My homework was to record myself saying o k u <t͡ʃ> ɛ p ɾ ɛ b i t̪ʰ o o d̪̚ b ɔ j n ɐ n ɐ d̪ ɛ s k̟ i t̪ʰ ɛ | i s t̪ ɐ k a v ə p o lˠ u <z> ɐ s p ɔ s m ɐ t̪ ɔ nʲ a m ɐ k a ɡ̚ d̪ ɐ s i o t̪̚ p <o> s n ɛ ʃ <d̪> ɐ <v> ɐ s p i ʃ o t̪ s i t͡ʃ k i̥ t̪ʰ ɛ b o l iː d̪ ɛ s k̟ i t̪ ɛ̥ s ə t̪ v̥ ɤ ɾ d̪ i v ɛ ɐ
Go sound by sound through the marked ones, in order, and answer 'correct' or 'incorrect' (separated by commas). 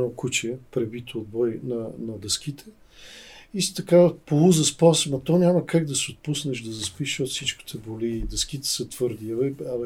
correct, correct, incorrect, correct, incorrect